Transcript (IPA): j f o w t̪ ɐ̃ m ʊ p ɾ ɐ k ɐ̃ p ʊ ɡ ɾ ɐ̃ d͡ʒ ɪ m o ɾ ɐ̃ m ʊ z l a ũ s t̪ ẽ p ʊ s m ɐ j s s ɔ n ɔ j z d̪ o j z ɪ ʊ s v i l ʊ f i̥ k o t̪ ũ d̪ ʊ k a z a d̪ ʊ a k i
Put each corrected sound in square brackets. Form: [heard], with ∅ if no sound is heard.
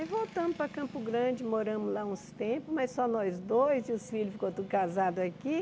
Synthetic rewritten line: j [v] o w t̪ ɐ̃ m ʊ p ɾ ɐ k ɐ̃ p ʊ ɡ ɾ ɐ̃ d͡ʒ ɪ m o ɾ ɐ̃ m ʊ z l a ũ s t̪ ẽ p ʊ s m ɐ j s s ɔ n ɔ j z d̪ o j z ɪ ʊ s [f] i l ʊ f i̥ k o t̪ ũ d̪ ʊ k a z a d̪ ʊ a k i